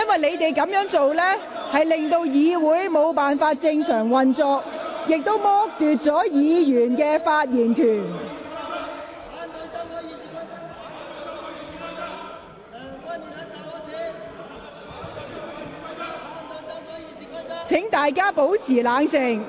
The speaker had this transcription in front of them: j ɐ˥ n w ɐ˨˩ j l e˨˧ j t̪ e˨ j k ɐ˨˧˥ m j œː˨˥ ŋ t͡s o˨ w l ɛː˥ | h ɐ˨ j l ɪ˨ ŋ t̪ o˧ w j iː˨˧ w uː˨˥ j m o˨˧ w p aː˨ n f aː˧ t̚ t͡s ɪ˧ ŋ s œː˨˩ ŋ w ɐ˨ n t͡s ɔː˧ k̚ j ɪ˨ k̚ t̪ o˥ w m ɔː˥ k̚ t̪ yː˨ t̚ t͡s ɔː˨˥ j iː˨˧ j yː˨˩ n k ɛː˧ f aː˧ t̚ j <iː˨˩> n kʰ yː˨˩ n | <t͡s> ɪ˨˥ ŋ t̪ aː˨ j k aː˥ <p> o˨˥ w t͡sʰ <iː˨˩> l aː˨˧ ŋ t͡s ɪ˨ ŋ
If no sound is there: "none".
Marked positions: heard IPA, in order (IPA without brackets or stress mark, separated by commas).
iː˨˩, t͡sʰ, p, iː˨˩